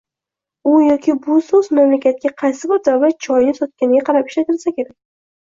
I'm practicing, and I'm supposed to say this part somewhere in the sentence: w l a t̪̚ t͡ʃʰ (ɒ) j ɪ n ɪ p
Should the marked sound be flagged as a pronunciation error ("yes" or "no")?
no